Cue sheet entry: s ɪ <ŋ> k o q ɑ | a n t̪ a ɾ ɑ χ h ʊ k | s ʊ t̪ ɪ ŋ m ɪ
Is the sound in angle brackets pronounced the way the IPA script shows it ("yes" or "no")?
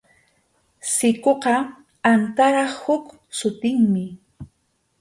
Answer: no